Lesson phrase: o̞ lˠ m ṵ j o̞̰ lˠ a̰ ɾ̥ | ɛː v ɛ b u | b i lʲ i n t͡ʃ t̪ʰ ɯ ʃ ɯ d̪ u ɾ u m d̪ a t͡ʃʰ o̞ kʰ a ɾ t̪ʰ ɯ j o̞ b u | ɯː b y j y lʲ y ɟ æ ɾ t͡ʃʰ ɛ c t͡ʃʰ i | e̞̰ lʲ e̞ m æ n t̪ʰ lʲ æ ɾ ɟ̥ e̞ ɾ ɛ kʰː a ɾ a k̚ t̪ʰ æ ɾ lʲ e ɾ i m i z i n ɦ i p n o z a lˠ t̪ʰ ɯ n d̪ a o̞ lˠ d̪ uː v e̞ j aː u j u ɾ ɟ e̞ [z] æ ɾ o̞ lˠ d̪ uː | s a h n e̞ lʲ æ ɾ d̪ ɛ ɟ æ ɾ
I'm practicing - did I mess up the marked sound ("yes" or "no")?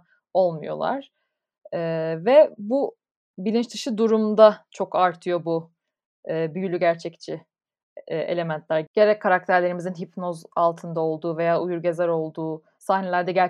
no